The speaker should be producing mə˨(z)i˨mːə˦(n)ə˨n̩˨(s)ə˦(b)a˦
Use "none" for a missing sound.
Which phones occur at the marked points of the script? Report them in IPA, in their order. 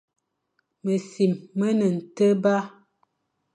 s, n, t, b

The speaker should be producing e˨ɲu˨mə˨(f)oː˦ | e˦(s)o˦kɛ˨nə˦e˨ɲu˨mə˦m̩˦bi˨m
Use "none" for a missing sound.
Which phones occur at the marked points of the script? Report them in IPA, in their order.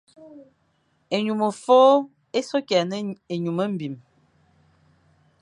f, s

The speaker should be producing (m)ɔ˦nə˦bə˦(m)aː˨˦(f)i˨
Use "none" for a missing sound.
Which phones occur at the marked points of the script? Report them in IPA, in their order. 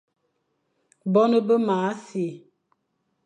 b, m, s

